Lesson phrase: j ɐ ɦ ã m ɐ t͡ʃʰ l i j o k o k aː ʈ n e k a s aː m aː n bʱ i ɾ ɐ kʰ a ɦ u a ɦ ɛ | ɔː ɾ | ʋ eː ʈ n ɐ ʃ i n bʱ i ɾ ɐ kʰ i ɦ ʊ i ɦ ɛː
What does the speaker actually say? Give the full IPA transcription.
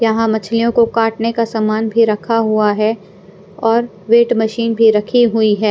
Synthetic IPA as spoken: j ɐ ɦ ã m ɐ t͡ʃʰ l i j õ k o k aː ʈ n e k a s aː m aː n bʱ i ɾ ɐ kʰ a ɦ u a ɦ ɛ | ɔː ɾ | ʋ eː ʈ m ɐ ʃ iː n bʱ i ɾ ɐ kʰ i ɦ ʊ i ɦ ɛː